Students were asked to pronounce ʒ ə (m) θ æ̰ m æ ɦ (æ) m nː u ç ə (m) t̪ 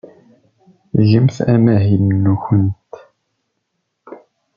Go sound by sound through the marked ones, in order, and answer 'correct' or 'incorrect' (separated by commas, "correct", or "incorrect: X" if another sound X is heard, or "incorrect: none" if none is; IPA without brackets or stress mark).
correct, incorrect: i, incorrect: n